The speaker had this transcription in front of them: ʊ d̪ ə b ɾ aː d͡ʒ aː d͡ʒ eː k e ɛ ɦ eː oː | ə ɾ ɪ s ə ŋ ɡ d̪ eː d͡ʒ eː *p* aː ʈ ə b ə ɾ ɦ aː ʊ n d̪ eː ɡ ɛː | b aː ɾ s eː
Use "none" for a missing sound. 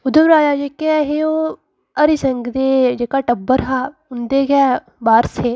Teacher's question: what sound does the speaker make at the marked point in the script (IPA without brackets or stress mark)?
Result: k